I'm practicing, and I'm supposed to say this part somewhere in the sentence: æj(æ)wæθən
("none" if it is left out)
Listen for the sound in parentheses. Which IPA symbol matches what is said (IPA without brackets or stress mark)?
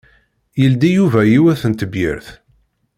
i